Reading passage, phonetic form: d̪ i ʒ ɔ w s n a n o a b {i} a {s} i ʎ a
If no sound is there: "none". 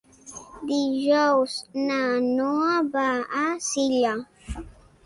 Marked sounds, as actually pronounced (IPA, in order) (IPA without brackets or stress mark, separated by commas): a, s